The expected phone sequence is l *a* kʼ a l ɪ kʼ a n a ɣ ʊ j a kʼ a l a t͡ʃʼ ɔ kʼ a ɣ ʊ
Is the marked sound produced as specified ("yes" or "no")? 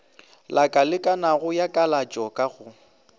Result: yes